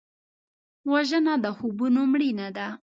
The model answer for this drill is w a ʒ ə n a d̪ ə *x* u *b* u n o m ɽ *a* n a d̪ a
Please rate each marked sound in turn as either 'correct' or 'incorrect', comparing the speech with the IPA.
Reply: correct, correct, incorrect

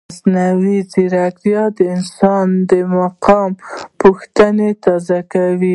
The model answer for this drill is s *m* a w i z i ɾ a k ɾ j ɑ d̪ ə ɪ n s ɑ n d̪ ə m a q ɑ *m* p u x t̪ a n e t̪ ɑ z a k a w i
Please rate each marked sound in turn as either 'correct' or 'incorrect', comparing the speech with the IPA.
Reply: incorrect, correct

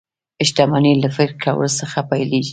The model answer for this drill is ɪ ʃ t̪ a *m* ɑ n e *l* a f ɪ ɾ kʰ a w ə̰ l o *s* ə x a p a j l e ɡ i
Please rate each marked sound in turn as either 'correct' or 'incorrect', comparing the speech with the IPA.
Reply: correct, correct, correct

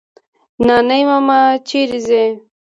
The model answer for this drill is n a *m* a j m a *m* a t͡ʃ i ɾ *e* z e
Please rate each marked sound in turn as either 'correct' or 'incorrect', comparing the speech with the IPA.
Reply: incorrect, correct, incorrect

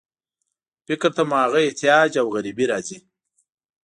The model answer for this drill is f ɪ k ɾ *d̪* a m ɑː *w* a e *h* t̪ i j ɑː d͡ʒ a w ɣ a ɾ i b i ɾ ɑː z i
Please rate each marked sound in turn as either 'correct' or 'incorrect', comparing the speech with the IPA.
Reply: incorrect, incorrect, correct

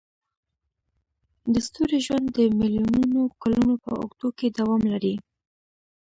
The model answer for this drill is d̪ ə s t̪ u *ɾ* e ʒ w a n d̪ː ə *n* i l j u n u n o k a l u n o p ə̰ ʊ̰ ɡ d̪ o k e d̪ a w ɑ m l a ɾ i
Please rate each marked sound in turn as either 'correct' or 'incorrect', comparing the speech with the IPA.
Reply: correct, incorrect

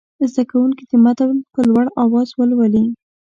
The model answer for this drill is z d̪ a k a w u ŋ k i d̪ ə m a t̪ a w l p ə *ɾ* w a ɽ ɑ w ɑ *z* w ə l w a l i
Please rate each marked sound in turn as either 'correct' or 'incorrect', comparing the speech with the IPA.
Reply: incorrect, correct

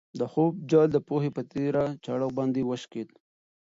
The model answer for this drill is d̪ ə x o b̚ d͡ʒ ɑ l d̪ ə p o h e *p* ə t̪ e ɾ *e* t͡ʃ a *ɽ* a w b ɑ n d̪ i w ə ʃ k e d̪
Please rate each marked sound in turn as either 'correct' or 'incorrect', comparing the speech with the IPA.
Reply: correct, incorrect, correct

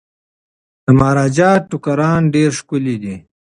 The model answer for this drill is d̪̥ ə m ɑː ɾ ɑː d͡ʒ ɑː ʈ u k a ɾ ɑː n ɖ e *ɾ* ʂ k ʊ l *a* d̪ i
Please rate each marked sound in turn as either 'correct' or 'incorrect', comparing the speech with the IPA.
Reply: correct, incorrect

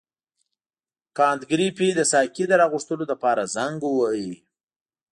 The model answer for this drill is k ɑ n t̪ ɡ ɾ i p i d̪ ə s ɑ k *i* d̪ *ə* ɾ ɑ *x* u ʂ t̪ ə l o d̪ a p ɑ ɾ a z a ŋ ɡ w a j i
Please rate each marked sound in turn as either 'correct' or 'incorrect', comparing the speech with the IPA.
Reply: correct, correct, incorrect

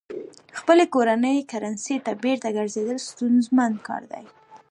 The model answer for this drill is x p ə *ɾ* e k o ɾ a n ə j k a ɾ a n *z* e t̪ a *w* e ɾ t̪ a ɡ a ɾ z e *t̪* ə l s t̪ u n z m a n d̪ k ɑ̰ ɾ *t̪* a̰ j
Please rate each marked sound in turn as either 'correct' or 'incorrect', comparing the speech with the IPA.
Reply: incorrect, incorrect, incorrect, incorrect, incorrect

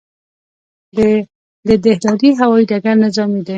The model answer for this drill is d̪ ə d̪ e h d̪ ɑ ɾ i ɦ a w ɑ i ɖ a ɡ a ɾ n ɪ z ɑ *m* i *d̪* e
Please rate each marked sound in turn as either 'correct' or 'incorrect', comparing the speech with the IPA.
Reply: correct, correct

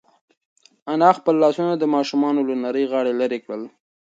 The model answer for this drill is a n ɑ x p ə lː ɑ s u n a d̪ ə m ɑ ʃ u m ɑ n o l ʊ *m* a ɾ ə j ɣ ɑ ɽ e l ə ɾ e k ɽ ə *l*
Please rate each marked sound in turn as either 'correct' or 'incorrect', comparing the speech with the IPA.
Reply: incorrect, correct

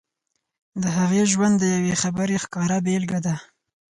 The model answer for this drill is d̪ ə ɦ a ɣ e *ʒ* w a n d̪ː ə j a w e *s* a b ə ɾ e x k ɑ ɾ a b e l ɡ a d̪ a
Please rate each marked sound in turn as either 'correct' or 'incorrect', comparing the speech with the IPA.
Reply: correct, incorrect

